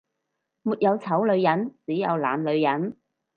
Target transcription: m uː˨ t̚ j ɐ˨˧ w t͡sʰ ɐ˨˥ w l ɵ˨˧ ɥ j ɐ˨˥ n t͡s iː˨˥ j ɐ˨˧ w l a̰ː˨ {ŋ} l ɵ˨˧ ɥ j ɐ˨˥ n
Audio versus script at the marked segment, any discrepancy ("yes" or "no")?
yes